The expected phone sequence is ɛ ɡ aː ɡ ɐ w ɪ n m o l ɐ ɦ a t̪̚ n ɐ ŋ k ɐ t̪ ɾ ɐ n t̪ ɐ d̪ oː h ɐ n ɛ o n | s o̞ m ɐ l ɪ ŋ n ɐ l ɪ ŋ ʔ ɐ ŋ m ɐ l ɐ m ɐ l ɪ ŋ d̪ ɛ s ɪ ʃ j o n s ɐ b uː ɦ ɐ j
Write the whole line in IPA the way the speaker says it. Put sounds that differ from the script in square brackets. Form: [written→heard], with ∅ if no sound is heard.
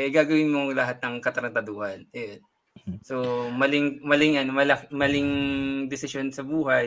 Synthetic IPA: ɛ ɡ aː ɡ ɐ w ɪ n m o l ɐ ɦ a t̪̚ n ɐ ŋ k ɐ t̪ ɾ ɐ n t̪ ɐ d̪ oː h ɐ n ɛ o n | s o̞ m ɐ l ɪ ŋ [n→m] ɐ l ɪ ŋ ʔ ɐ [ŋ→n] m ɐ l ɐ m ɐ l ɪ ŋ d̪ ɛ s ɪ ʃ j o n s ɐ b uː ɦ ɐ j